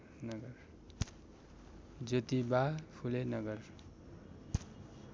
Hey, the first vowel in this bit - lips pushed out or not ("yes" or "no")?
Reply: no